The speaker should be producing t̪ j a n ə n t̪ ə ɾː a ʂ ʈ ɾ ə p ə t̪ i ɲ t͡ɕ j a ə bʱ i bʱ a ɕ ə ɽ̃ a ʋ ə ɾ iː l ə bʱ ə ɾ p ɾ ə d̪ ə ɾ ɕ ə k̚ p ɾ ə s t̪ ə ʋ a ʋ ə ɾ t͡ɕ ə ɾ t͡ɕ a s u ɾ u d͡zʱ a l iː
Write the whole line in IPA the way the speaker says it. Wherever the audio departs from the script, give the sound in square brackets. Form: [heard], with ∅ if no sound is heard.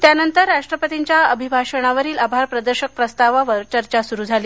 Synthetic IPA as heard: t̪ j a n ə n t̪ ə ɾː a ʂ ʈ ɾ ə p ə t̪ i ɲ t͡ɕ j a ə bʱ i bʱ a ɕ ə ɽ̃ a ʋ ə ɾ iː l [a] bʱ [a] ɾ p ɾ ə d̪ ə ɾ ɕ ə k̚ p ɾ ə s t̪ [a] ʋ a ʋ ə ɾ t͡ɕ ə ɾ t͡ɕ a s u ɾ u d͡zʱ a l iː